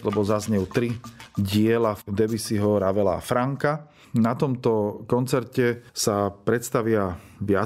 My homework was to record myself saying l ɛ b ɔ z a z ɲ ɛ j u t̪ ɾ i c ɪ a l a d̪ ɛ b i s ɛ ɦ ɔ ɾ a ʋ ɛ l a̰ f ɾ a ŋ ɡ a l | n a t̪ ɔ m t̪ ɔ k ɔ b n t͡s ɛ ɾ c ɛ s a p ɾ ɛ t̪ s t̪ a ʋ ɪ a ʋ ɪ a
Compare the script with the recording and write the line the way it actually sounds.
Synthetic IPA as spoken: l ɛ b ɔ z a z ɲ ɛ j u t̪ ɾ i ɟ ɪ ɛ l a d̪ ɛ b i s i ɦ ɔ ɾ a ʋ ɛ l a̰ f ɾ a ŋ k a | n a t̪ ɔ m t̪ ɔ k ɔ n t͡s ɛ ɾ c ɛ s a p ɾ ɛ t̪ s t̪ a ʋ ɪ a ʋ ɪ a